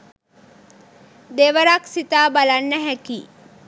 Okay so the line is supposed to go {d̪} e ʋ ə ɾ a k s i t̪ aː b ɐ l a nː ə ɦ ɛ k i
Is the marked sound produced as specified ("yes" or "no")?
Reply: yes